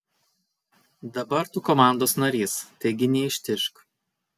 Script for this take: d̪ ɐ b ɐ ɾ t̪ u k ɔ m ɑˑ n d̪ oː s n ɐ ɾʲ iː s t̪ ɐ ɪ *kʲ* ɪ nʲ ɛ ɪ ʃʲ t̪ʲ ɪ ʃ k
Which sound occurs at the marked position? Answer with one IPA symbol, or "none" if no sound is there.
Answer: ɡʲ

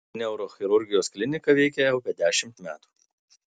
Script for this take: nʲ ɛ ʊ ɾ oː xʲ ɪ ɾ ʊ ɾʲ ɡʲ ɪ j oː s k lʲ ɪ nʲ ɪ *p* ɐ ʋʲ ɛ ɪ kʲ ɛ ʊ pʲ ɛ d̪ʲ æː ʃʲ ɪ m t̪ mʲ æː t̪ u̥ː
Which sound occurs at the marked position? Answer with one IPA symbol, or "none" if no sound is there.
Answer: k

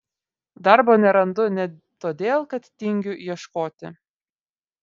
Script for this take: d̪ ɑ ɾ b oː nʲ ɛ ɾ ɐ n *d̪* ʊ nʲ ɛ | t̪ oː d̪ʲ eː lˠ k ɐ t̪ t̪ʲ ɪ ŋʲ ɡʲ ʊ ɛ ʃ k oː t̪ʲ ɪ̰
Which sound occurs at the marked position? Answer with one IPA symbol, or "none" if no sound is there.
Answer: d̪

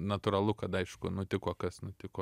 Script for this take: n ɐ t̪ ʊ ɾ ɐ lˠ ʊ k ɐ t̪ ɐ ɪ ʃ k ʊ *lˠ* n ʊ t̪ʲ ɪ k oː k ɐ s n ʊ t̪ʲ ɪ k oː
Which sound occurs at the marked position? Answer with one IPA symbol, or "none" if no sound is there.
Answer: none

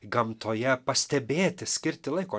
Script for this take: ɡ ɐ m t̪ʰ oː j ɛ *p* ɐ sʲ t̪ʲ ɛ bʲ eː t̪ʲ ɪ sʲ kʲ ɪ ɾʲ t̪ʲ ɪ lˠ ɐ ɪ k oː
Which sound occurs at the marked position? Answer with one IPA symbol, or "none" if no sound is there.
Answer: p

